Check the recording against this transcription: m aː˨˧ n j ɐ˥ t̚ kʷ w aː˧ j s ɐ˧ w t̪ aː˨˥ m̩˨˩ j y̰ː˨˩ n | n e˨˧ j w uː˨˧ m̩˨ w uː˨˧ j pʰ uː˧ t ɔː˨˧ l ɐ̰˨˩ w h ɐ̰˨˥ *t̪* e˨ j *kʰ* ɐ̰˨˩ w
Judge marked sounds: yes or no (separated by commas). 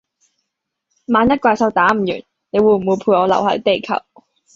yes, yes